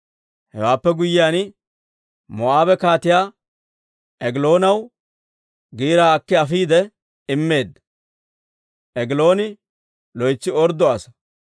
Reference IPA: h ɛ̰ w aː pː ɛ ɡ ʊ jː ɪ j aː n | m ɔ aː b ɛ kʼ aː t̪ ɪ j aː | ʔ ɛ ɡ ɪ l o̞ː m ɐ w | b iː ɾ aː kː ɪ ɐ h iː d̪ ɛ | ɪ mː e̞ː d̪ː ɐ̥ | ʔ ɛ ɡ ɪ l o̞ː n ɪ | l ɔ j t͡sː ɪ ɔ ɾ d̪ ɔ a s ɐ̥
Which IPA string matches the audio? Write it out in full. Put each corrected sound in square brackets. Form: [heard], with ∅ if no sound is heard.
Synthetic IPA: h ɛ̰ w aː pː ɛ ɡ ʊ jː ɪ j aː n | m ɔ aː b ɛ [k] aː t̪ ɪ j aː | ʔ ɛ ɡ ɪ l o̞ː [n] ɐ w | [ɡ] iː ɾ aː kː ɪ ɐ [f] iː d̪ ɛ | ɪ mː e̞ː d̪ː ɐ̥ | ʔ ɛ ɡ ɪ l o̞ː n ɪ | l ɔ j t͡sː ɪ ɔ ɾ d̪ ɔ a s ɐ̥